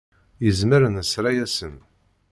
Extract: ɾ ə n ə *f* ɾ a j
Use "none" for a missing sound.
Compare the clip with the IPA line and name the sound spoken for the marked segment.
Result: s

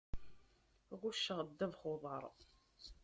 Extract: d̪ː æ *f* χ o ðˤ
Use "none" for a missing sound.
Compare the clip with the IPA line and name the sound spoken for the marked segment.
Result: v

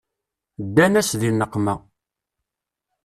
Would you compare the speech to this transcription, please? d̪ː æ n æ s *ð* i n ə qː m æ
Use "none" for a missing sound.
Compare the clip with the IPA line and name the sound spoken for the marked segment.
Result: ð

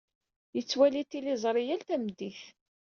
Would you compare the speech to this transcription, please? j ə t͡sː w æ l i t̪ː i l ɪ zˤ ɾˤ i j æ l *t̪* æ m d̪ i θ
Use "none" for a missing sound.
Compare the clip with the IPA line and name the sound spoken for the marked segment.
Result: t̪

